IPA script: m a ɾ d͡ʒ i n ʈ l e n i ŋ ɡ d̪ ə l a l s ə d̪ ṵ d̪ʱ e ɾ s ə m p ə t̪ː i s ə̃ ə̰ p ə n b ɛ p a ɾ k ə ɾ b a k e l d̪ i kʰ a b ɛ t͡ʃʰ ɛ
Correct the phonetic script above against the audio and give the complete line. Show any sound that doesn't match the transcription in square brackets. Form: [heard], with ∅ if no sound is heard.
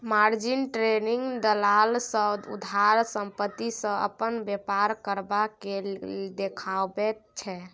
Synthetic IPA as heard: m a ɾ d͡ʒ i n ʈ [ɾ] e n i ŋ ɡ d̪ ə l a l s ə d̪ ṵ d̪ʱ [a] ɾ s ə m p ə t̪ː i s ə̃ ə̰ p ə n b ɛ p a ɾ k ə ɾ b a k e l d̪ [e] kʰ a b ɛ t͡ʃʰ ɛ